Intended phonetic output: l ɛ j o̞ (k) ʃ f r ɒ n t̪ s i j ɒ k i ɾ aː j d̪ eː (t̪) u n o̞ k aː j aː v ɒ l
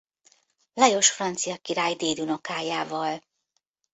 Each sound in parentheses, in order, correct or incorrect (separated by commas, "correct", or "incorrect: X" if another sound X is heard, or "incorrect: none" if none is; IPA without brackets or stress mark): incorrect: none, incorrect: d̪